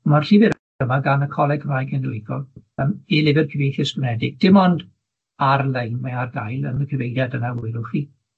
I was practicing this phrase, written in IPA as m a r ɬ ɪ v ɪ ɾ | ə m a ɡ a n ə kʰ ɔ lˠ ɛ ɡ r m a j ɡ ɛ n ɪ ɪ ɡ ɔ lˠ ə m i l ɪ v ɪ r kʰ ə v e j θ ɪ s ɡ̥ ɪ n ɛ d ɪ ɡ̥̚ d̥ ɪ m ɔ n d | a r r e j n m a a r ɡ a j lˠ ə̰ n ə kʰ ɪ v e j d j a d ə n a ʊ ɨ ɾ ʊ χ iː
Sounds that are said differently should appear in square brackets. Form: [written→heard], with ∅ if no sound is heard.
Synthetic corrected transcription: m a r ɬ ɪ v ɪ ɾ | ə m a ɡ a n ə kʰ ɔ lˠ ɛ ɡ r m a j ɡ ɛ n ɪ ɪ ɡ ɔ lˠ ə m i l ɪ v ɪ r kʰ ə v e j θ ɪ s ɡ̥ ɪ n ɛ d ɪ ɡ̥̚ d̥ ɪ m ɔ n d | a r [r→l] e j n m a a r ɡ a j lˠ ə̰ n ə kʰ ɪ v e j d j a d ə n a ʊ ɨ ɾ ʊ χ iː